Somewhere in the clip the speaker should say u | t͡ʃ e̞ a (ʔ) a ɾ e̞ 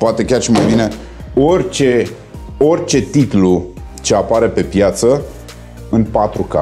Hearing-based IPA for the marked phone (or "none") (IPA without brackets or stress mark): p